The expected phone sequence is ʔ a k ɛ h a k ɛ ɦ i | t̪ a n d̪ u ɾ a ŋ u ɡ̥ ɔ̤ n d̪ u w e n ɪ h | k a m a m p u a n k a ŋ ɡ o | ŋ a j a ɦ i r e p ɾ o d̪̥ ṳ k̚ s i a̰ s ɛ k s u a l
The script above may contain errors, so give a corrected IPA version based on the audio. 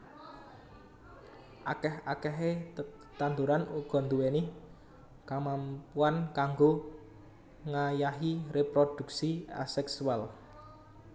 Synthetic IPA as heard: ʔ a k ɛ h a k ɛ ɦ e | t̪ a n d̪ u ɾ a n u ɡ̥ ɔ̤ n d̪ u w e n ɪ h | k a m a m p u a n k a ŋ ɡ o | ŋ a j a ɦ i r e p ɾ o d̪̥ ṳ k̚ s i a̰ s ɛ k s u a l